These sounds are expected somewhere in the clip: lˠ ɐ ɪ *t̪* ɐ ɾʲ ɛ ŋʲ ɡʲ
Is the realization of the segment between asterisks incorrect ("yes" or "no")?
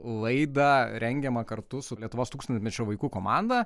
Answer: yes